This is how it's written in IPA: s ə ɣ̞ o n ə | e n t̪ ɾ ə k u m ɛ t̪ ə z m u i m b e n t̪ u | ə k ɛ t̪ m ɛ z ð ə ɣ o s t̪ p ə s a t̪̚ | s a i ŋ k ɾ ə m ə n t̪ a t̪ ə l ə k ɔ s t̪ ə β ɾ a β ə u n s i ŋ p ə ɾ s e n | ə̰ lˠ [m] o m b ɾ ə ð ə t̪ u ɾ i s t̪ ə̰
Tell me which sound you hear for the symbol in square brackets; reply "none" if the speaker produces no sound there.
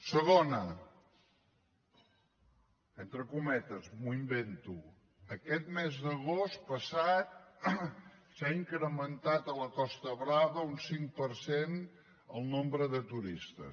n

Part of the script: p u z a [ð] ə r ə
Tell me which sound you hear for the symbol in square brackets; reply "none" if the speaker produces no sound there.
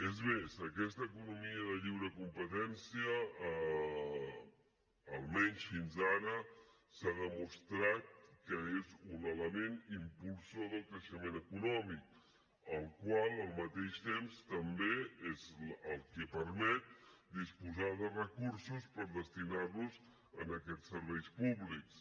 ð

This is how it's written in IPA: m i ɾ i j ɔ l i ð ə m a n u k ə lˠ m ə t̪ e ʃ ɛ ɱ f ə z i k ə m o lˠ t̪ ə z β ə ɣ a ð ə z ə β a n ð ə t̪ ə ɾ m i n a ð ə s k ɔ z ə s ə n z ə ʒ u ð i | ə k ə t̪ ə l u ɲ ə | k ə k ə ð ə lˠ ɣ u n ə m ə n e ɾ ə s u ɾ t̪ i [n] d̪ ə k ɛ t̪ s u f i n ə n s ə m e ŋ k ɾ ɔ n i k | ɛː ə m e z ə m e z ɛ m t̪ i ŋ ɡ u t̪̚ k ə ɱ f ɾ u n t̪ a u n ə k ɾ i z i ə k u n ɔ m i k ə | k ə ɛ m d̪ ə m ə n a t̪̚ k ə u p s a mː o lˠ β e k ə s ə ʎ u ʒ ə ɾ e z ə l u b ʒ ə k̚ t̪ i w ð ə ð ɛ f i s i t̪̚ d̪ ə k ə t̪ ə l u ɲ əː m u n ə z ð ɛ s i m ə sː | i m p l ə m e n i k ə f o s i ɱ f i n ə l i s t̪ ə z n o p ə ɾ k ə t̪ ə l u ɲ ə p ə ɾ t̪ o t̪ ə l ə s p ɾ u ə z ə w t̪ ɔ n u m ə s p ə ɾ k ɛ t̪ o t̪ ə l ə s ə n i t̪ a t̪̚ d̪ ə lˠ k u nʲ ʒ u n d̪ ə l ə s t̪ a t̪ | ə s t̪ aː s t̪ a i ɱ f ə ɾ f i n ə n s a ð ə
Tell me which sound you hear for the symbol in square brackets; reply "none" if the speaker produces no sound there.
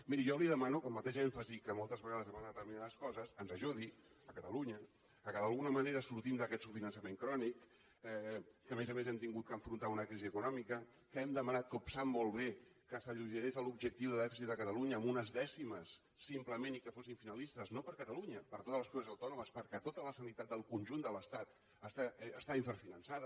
m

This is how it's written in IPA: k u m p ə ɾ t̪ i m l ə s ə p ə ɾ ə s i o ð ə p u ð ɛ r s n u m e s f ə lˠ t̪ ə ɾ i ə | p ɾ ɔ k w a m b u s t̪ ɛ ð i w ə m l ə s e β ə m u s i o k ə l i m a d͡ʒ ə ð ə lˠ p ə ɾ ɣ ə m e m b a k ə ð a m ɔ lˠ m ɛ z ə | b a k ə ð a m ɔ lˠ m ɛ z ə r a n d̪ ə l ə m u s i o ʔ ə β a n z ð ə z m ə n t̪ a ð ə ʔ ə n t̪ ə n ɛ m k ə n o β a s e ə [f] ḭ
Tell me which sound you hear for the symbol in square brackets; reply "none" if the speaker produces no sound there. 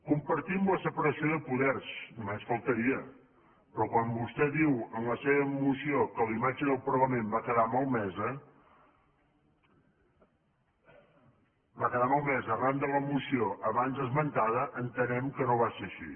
ʃ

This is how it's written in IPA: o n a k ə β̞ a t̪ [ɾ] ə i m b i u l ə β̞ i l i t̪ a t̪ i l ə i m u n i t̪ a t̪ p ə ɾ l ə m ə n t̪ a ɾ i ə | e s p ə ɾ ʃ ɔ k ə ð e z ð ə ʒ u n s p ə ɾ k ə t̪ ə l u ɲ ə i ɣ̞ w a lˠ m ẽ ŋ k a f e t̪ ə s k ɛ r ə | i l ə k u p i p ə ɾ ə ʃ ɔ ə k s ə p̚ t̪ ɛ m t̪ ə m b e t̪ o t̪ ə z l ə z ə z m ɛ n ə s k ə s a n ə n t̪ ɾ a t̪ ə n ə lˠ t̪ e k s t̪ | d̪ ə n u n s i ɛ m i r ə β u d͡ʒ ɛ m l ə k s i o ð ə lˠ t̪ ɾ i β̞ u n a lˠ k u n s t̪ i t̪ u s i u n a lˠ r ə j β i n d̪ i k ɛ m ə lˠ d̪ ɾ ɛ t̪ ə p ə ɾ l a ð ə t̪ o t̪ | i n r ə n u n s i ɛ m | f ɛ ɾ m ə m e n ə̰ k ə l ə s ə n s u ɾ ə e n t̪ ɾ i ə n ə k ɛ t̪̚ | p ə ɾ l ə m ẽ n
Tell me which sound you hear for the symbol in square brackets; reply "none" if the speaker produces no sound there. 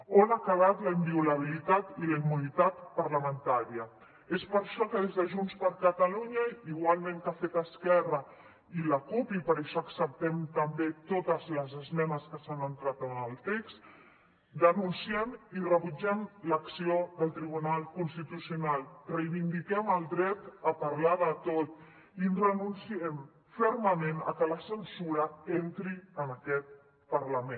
l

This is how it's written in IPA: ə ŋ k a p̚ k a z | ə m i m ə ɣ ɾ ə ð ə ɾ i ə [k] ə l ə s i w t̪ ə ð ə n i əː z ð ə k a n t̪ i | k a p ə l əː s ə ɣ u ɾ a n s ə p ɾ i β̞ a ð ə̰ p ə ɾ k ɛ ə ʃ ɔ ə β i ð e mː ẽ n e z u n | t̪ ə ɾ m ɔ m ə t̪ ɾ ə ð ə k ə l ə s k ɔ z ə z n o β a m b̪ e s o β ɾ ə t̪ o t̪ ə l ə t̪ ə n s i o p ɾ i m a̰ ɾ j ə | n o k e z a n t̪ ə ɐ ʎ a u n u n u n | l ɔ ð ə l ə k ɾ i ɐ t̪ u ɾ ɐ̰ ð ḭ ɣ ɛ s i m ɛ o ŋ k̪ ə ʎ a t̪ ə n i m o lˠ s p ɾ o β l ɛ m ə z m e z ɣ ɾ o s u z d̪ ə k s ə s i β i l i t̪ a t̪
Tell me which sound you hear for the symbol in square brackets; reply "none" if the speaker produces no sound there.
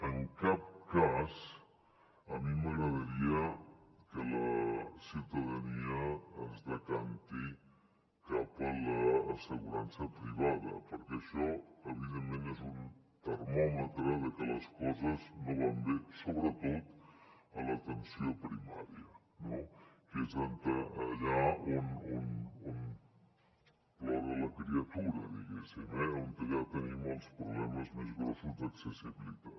k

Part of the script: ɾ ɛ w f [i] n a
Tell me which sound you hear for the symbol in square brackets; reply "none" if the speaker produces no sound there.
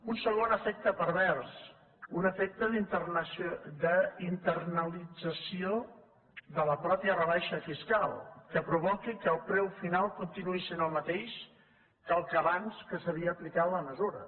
i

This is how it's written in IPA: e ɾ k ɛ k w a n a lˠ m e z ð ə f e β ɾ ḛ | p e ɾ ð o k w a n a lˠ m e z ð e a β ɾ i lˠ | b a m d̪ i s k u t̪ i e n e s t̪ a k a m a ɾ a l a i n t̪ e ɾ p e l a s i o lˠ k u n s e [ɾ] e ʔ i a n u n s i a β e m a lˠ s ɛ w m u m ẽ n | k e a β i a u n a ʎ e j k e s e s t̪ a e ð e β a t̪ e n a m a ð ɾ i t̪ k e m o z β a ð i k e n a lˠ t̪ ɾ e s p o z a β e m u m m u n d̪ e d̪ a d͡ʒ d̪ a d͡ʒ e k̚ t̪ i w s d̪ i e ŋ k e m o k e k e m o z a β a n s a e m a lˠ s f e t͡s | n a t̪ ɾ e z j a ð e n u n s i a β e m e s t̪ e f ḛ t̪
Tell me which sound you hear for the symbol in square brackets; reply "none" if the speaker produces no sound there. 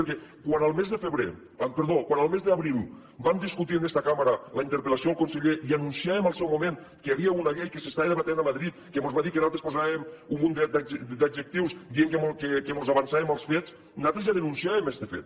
ʎ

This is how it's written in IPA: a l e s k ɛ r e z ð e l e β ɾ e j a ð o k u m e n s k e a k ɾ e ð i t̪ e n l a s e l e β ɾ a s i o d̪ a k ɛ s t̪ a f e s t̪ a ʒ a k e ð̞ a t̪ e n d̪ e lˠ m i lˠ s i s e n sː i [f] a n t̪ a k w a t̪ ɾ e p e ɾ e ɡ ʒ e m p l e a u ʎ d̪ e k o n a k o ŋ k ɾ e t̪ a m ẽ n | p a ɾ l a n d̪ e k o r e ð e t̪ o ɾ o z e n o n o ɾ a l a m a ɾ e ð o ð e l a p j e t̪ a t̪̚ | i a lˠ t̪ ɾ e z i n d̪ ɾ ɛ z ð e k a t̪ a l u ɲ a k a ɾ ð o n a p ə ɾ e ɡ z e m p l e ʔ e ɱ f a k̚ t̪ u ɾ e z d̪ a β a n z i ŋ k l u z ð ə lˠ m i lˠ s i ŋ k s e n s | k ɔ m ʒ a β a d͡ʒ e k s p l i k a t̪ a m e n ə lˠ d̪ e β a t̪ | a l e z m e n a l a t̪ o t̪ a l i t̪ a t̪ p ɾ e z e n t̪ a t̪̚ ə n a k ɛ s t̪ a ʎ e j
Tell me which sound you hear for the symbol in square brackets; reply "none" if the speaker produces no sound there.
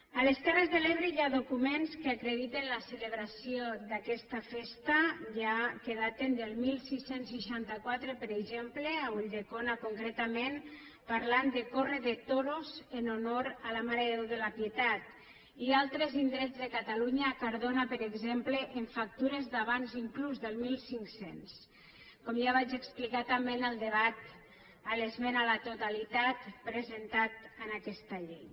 ʃ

